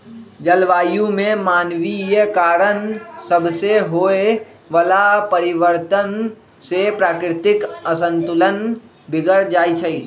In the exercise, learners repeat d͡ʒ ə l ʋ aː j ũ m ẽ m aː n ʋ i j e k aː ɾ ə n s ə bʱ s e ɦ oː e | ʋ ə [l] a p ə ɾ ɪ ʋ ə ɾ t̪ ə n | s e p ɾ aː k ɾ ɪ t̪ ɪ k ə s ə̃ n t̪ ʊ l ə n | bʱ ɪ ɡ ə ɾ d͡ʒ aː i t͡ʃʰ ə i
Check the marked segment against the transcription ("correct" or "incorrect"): correct